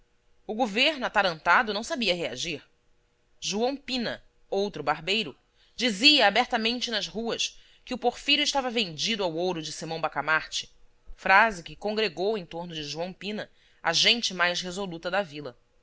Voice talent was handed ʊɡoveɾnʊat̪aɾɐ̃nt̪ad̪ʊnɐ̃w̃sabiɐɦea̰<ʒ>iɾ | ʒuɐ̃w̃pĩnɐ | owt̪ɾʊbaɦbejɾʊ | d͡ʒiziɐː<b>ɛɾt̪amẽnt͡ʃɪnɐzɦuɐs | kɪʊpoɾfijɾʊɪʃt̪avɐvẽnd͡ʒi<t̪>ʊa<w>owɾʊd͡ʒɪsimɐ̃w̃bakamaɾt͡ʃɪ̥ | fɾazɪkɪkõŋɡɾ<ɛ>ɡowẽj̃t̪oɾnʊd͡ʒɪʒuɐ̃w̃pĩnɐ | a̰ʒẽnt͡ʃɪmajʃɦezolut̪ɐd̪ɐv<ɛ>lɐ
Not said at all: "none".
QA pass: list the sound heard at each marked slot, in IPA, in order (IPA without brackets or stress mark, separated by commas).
ʒ, b, d̪, w, e, i